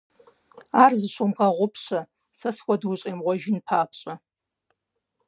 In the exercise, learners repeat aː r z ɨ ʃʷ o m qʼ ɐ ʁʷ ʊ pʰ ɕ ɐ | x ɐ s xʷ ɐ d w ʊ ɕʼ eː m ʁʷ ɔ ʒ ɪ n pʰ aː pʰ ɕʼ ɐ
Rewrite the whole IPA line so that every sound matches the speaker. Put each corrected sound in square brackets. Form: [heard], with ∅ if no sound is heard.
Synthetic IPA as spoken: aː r z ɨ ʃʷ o m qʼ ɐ ʁʷ ʊ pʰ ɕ ɐ | [s] ɐ s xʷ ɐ d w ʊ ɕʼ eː m ʁʷ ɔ ʒ ɪ n pʰ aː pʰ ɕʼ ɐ